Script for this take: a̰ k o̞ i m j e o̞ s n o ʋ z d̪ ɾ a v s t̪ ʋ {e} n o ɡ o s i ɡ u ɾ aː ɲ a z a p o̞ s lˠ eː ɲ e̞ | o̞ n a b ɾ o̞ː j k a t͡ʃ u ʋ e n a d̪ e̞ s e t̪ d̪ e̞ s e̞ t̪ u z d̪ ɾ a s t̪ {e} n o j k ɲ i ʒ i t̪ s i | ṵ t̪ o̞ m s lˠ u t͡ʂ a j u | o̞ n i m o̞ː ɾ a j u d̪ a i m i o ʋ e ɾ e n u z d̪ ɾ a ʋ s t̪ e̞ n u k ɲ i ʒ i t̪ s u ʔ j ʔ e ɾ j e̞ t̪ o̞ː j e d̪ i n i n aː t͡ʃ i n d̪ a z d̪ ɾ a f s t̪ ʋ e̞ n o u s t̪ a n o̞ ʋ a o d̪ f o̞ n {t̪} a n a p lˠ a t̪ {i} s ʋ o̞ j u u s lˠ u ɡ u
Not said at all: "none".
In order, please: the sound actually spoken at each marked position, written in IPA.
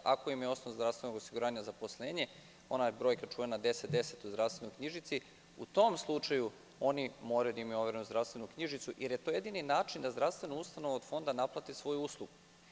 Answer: e, e, d̪, i

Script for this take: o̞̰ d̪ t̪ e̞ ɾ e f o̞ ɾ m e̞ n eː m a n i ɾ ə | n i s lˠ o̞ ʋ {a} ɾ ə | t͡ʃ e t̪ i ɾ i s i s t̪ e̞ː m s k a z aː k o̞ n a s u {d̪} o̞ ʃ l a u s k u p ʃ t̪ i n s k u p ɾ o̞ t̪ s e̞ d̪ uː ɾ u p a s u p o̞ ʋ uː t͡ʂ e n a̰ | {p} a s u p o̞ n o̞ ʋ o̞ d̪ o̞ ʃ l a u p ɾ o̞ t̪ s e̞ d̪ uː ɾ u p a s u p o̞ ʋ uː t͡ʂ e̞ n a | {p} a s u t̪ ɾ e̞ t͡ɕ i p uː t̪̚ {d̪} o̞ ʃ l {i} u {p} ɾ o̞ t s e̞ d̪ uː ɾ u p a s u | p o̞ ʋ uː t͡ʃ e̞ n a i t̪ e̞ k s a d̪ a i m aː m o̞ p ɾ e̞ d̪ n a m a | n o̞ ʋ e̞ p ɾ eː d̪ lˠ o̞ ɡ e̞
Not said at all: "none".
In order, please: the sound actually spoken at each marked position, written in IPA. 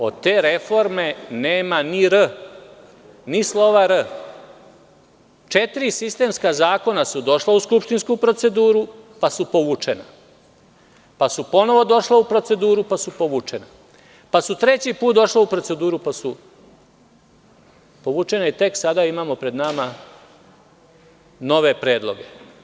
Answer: a, d̪, p, p, d̪, a, p

